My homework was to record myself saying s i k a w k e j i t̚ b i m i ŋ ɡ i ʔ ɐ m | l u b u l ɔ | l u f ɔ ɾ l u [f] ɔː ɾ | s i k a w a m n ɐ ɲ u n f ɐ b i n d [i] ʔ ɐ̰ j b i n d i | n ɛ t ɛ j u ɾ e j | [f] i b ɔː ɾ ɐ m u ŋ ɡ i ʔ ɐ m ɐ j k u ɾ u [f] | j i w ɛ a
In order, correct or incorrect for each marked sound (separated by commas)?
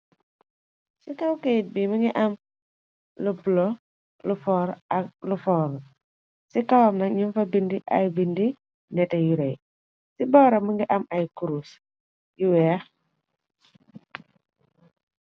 correct, correct, incorrect, incorrect